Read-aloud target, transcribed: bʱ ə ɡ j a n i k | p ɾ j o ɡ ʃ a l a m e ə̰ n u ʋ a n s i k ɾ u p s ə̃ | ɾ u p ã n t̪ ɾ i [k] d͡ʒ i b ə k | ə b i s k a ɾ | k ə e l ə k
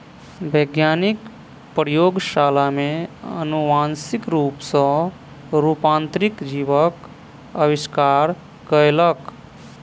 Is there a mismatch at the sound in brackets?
no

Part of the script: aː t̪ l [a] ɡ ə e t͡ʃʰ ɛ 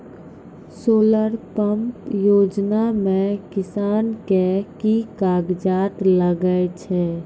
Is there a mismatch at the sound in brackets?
yes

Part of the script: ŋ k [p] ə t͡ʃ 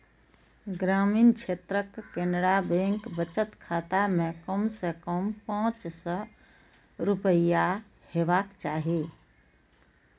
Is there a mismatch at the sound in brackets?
yes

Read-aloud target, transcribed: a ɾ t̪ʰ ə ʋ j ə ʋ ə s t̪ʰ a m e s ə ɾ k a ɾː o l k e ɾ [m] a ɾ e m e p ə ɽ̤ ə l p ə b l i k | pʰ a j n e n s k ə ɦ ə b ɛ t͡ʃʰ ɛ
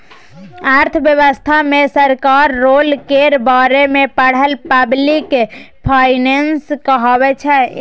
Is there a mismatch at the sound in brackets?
yes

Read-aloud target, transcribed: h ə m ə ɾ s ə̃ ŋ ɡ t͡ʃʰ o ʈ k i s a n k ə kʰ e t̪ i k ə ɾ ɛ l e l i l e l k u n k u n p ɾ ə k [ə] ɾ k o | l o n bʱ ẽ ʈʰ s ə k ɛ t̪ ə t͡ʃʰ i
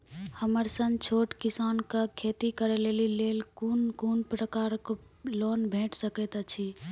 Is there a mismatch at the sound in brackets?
yes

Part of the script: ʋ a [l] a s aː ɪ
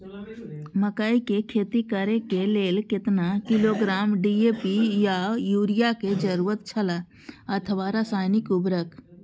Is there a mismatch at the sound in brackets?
yes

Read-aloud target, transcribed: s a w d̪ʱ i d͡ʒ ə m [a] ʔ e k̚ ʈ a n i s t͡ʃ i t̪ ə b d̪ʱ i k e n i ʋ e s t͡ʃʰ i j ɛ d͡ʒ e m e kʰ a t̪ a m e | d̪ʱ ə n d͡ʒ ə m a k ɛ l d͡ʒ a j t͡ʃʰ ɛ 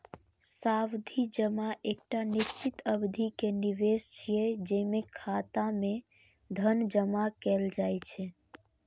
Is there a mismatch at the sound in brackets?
no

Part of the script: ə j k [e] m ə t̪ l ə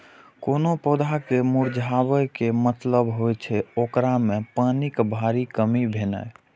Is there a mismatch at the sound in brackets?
no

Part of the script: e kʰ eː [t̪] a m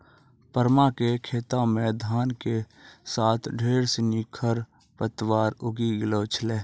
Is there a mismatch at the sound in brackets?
no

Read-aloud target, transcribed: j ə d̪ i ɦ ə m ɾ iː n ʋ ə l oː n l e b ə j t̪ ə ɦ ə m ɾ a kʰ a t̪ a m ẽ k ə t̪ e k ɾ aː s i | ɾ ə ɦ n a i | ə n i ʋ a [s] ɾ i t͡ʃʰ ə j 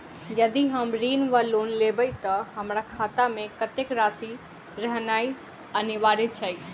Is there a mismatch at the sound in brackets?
yes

